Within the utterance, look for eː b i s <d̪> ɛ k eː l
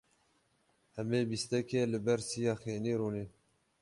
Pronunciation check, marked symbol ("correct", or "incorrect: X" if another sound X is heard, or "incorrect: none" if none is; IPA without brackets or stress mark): incorrect: t̪